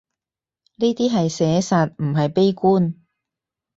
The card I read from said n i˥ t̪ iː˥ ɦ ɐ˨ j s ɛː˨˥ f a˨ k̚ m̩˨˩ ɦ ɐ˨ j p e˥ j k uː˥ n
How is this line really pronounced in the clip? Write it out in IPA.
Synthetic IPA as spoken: n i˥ t̪ iː˥ ɦ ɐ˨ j s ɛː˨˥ s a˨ t̚ m̩˨˩ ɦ ɐ˨ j p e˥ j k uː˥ n